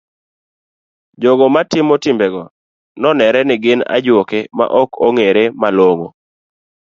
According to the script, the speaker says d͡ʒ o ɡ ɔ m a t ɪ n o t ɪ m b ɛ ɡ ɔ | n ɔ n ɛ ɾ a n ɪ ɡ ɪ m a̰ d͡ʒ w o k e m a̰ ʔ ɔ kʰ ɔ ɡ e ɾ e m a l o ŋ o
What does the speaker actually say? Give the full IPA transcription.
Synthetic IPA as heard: d͡ʒ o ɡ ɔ m a t ɪ m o t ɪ m b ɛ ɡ ɔ | n ɔ n ɛ ɾ ɛ n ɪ ɡ ɪ n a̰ d͡ʒ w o k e m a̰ ʔ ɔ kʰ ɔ ŋ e ɾ e m a l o ŋ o

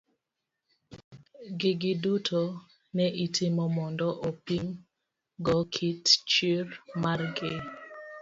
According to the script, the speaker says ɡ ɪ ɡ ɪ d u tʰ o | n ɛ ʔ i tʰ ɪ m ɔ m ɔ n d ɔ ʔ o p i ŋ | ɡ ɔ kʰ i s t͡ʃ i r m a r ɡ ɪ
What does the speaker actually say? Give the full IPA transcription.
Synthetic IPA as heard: ɡ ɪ ɡ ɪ d u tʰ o | n ɛ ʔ i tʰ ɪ m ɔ m ɔ n d ɔ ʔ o p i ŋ | ɡ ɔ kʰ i t t͡ʃ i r m a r ɡ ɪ

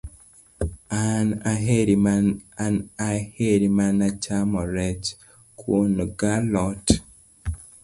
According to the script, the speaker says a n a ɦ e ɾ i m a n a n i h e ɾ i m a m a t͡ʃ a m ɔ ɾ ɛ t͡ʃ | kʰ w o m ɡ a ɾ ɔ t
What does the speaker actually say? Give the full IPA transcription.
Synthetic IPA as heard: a n a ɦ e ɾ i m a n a n a h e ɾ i m a n a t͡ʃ a m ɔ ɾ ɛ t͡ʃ | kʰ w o n ɡ a l ɔ t

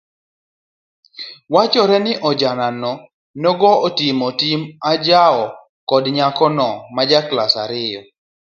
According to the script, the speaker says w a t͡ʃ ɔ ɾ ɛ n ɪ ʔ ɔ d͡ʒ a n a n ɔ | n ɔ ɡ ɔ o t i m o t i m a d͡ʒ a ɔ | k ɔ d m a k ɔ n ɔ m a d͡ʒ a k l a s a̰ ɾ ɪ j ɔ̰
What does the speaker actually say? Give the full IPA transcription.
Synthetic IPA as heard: w a t͡ʃ ɔ ɾ ɛ n ɪ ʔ ɔ d͡ʒ a n a n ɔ | n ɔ ɡ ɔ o t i m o t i m a d͡ʒ a ɔ | k ɔ d ɲ a k ɔ n ɔ m a d͡ʒ a k l a s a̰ ɾ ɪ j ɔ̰

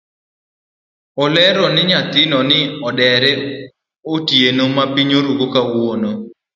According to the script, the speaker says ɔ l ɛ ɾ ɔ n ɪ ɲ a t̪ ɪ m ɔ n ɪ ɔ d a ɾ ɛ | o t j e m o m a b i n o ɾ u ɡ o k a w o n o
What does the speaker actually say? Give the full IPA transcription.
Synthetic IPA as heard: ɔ l ɛ ɾ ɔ n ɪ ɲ a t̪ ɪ n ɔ n ɪ ɔ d ɛ ɾ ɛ | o t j e n o m a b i ɲ o ɾ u ɡ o k a w o n o

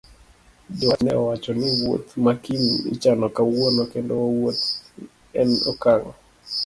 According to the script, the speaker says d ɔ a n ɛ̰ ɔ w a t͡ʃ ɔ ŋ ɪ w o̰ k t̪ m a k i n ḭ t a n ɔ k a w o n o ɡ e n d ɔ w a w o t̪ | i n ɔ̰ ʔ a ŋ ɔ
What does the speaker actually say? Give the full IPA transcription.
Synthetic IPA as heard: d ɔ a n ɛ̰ ɔ w a t͡ʃ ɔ n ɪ w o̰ t̪ m a k i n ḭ t͡ʃ a n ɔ k a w o n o k e n d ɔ w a w o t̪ | ɛ n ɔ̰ k a ŋ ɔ

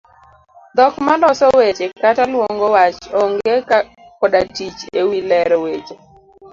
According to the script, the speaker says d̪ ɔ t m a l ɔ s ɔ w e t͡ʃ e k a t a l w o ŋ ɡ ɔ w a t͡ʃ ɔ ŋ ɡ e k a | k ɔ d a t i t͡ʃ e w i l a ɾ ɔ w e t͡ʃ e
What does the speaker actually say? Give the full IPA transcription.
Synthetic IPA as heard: d̪ ɔ k m a l ɔ s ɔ w e t͡ʃ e k a t a l w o ŋ ɡ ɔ w a t͡ʃ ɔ ŋ ɡ e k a | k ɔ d a t i t͡ʃ e w i l ɛ ɾ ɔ w e t͡ʃ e

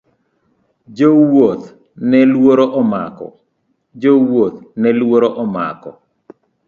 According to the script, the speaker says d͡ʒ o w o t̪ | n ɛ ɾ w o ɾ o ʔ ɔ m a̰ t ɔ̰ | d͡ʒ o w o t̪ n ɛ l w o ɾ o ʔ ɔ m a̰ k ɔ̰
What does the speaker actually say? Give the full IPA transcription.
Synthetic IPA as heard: d͡ʒ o w o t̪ | n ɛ l w o ɾ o ʔ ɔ m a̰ k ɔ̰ | d͡ʒ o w o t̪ n ɛ l w o ɾ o ʔ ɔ m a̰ k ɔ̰

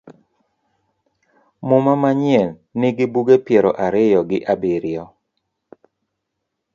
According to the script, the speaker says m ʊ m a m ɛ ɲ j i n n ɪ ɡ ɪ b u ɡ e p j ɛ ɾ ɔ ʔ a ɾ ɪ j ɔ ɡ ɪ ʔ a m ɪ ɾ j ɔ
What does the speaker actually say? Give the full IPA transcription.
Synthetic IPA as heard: m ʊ m a m a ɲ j ɛ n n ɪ ɡ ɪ b u ɡ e p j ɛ ɾ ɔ ʔ a ɾ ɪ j ɔ ɡ ɪ ʔ a b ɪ ɾ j ɔ

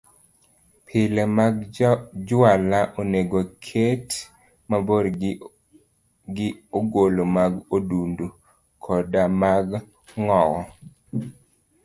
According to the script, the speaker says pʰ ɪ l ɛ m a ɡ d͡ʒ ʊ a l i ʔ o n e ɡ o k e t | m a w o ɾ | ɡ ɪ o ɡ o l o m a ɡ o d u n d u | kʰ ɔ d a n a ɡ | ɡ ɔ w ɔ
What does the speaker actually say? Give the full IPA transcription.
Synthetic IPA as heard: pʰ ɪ l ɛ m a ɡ d͡ʒ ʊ a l a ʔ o n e ɡ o kʰ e t | m a b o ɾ | ɡ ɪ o ɡ o l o m a ɡ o d u n d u | kʰ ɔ d a m a ɡ | ŋ ɔ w ɔ

